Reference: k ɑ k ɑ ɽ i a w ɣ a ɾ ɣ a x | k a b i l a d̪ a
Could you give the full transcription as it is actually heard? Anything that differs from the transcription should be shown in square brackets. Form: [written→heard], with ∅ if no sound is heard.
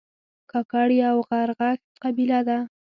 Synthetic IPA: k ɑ k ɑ ɽ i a w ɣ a ɾ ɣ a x | [k→q] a b i l a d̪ a